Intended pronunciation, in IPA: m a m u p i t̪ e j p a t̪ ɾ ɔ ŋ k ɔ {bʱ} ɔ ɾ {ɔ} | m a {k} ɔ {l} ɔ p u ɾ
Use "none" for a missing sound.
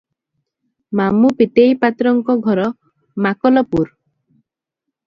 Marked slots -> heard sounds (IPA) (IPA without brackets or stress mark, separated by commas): ɡʱ, ɔ, k, l